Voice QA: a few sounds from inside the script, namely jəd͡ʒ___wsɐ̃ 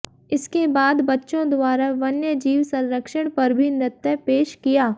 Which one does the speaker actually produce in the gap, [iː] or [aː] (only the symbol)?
iː